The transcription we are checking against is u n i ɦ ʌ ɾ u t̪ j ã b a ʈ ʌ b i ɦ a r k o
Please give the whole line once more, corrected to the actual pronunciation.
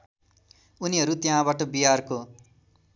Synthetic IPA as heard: u n i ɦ ʌ ɾ u t̪ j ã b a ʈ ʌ b i ɦ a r k o